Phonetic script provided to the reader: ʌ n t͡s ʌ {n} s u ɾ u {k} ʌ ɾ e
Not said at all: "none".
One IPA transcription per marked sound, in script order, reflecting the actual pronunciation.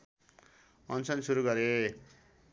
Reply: n, ɡ

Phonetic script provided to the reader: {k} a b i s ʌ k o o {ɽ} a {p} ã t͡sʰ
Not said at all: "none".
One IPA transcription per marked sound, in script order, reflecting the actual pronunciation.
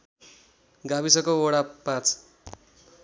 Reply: ɡ, ɽ, p

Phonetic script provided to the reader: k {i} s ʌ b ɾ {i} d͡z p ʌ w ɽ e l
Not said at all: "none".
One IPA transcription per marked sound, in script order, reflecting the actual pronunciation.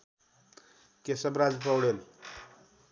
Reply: e, a

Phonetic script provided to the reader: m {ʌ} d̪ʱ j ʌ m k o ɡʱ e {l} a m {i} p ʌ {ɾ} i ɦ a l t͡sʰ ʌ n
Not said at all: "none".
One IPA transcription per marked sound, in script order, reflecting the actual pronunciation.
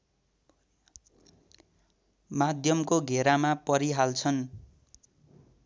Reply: a, ɾ, a, ɾ

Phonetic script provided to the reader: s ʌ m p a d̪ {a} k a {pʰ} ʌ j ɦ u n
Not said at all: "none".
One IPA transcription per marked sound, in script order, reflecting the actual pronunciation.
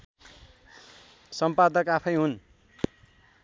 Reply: ʌ, pʰ

